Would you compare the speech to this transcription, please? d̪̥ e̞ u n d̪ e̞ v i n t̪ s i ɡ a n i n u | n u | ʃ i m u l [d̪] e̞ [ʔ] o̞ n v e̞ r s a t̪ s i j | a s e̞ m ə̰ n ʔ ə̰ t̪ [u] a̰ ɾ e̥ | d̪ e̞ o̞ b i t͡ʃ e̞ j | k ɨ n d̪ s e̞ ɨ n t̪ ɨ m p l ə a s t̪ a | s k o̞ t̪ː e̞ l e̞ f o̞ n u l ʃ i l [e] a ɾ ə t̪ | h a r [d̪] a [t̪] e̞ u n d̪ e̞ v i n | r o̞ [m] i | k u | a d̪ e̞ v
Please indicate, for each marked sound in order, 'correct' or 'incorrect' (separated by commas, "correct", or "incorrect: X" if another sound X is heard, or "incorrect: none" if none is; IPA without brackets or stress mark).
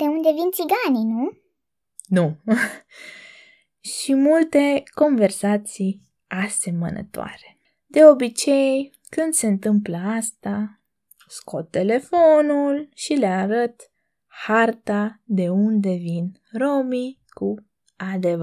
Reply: incorrect: t̪, incorrect: k, incorrect: o, correct, incorrect: t̪, incorrect: d̪, correct